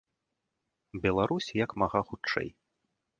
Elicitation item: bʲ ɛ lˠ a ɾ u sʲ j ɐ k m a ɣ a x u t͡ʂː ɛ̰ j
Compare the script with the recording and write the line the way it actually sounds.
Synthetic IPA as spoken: bʲ ɛ lˠ a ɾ u sʲ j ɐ k m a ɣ a x u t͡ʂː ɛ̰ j